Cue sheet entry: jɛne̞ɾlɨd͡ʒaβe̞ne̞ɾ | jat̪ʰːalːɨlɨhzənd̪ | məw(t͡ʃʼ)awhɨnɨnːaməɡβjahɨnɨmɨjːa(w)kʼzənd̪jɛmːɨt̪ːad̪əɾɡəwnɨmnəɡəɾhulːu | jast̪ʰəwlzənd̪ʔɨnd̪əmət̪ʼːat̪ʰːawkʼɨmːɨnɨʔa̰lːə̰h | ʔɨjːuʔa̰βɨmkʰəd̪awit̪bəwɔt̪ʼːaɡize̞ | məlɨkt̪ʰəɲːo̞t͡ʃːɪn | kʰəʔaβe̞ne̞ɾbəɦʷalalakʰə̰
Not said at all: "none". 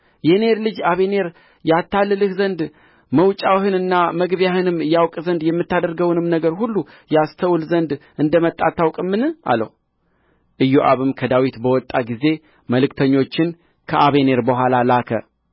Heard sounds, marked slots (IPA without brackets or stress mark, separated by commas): t͡ʃʼ, w